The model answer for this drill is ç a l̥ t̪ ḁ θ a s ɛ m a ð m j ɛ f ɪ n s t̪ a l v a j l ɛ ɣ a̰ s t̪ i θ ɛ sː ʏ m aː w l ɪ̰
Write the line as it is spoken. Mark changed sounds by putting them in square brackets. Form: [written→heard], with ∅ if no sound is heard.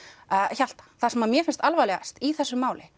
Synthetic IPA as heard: ç a l̥ t̪ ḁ θ a s ɛ m a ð m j ɛ f ɪ n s t̪ a l v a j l ɛ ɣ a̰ s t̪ i θ ɛ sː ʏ m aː w l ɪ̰